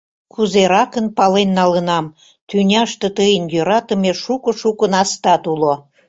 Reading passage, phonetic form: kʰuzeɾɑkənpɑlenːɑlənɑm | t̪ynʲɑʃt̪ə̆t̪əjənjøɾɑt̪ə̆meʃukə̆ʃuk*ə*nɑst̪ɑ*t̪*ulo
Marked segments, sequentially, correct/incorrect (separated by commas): correct, correct